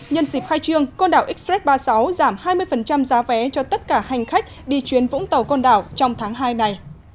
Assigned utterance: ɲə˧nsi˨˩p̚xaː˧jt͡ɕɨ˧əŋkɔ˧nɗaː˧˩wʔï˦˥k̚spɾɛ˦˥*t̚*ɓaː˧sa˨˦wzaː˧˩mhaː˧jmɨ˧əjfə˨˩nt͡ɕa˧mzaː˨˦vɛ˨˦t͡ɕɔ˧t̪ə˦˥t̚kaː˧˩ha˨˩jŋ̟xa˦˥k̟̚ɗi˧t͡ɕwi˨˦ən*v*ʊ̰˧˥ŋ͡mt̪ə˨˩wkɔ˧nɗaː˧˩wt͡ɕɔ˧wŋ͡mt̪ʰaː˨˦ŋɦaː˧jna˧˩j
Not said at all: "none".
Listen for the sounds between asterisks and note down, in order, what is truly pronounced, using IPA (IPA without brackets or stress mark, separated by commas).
t̚, v